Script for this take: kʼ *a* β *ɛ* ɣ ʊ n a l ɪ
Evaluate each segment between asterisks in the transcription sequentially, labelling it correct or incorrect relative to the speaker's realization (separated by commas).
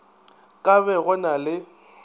correct, correct